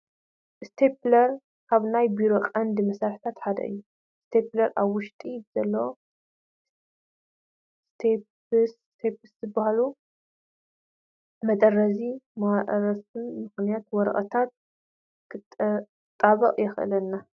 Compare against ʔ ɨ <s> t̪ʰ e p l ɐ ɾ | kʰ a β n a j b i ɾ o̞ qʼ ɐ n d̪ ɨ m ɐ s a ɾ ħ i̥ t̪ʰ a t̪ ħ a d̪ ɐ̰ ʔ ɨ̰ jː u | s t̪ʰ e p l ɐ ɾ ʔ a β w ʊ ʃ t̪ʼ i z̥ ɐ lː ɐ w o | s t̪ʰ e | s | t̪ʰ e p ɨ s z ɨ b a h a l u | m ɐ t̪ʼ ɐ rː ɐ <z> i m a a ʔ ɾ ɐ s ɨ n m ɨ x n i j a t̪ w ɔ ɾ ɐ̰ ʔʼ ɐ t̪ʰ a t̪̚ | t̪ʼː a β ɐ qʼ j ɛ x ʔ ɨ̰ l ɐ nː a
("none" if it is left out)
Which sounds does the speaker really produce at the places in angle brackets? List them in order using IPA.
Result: s, z

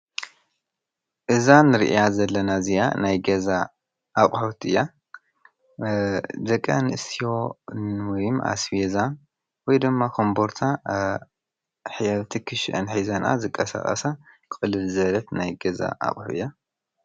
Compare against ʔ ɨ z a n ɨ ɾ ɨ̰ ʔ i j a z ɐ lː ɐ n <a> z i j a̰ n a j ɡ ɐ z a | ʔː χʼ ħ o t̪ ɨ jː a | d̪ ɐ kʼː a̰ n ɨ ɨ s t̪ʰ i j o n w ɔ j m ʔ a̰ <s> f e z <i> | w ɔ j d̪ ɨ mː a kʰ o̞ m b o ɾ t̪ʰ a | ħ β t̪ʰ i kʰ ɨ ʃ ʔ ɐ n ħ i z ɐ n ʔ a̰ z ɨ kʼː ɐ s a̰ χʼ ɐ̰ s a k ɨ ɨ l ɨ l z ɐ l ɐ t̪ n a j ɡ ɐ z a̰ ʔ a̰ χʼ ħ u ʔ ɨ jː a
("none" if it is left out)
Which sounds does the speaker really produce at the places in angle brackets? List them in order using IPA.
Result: a, s, a

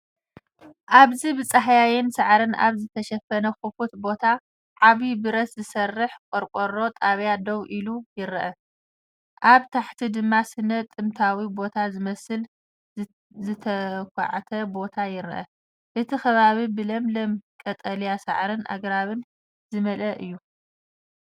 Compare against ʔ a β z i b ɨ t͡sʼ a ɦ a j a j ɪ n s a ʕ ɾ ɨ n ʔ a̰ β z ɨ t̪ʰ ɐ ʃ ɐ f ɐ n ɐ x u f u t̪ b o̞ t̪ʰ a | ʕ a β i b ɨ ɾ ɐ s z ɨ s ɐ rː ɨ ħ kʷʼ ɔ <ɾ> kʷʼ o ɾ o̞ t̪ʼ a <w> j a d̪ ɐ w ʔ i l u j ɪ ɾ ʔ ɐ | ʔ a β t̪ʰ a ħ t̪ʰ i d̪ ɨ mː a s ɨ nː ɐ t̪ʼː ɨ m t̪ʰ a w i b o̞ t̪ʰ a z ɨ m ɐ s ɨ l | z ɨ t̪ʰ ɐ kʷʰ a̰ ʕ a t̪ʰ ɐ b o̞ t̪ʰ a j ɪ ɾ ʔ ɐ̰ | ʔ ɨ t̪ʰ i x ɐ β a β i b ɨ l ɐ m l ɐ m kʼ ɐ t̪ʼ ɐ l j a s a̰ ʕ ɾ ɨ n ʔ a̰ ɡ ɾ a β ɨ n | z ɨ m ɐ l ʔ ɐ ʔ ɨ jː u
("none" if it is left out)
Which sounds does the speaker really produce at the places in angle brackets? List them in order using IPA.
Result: ɾ, β

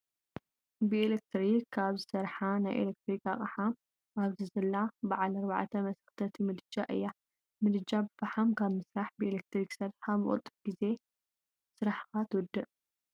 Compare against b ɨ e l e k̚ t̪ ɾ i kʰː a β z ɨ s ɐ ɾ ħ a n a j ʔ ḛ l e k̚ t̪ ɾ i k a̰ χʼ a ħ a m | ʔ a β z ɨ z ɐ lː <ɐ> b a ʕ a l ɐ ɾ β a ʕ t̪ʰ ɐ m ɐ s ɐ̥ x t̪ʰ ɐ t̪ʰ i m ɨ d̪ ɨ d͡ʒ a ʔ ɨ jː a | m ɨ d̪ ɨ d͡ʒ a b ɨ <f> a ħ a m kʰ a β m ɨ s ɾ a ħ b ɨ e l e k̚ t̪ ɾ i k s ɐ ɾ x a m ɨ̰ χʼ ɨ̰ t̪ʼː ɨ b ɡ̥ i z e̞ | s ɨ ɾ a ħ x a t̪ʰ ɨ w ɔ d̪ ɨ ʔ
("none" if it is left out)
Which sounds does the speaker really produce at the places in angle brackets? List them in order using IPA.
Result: a, f

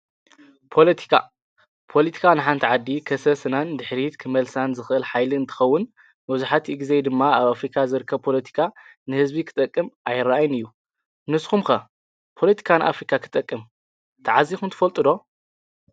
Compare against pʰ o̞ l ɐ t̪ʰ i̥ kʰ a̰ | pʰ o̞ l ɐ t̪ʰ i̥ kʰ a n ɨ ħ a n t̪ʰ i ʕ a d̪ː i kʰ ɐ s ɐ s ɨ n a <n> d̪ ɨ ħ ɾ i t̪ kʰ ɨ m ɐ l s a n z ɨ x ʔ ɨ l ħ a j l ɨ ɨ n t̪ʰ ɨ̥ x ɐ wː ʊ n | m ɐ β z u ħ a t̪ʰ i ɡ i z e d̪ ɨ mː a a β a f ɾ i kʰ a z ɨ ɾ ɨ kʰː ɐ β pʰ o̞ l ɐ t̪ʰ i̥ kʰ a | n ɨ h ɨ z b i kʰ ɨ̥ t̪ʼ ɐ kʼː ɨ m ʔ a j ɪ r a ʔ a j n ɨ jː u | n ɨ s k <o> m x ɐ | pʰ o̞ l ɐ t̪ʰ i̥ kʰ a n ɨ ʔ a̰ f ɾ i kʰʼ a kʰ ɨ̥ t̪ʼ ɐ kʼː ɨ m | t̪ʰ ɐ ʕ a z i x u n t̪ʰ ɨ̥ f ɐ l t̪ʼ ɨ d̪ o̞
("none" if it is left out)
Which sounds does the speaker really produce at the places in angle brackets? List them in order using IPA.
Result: n, u

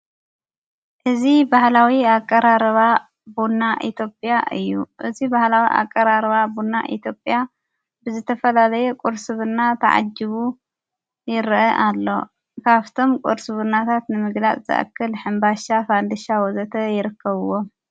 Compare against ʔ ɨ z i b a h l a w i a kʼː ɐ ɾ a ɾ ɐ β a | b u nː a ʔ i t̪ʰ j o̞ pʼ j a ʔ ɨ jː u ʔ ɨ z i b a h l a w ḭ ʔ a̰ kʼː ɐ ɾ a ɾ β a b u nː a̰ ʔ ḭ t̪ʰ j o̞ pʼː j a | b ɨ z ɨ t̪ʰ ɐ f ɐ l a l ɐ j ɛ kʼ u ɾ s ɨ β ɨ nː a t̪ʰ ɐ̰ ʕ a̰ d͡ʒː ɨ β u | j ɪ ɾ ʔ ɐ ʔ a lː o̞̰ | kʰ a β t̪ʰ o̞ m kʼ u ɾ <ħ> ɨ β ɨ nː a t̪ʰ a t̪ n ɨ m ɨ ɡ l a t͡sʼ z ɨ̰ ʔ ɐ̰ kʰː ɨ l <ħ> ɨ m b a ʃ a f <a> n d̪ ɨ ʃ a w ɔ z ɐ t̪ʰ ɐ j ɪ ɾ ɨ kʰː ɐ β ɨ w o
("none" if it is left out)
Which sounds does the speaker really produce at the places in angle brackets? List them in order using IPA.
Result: s, ħ, a

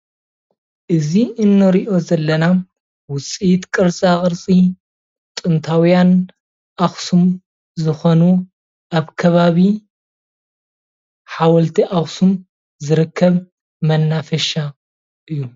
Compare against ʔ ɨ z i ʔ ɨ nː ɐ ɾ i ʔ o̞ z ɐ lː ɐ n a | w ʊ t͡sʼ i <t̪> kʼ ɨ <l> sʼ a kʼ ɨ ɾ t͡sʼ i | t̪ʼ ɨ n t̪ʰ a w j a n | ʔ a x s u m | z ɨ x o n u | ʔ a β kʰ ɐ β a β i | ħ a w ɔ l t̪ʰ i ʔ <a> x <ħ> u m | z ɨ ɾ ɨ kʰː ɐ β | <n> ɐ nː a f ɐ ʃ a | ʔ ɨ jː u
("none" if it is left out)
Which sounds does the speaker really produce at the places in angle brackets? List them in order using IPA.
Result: t̪, ɾ, a, s, m

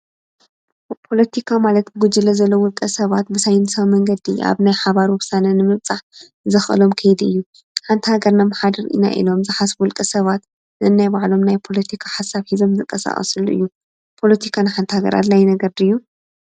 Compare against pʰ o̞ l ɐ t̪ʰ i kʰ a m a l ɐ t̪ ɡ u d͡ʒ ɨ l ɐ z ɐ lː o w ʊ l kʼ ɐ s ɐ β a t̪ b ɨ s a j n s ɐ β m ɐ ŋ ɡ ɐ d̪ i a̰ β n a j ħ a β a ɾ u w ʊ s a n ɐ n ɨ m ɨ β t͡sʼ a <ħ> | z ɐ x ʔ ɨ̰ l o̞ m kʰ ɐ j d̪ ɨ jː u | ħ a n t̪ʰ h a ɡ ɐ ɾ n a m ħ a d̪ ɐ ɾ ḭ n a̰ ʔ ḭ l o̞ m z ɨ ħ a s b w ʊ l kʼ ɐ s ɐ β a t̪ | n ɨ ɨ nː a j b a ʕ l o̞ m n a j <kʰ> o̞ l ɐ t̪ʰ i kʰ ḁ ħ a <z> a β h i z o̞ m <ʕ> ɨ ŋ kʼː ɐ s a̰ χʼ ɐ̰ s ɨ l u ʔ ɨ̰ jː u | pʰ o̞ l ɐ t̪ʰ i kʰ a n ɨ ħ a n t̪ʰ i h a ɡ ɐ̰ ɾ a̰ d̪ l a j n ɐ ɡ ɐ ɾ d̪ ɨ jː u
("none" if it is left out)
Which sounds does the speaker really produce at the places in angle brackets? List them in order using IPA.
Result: ħ, pʰ, s, z

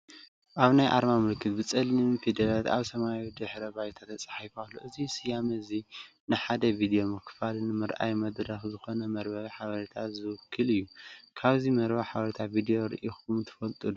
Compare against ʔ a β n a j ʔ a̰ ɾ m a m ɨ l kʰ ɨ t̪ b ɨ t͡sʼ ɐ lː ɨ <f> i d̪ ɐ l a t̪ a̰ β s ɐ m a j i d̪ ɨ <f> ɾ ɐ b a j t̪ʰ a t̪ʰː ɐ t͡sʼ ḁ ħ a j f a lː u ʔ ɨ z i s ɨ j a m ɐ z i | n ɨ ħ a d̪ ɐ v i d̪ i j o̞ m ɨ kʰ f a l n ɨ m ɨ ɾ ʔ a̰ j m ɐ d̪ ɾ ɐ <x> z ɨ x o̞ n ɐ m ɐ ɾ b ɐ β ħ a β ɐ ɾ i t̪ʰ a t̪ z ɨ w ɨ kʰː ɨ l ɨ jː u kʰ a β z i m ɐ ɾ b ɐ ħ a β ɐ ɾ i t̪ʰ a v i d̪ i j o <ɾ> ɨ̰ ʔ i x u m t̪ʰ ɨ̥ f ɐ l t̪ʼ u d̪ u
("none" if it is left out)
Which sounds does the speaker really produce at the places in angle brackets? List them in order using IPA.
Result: f, ħ, x, ɾ

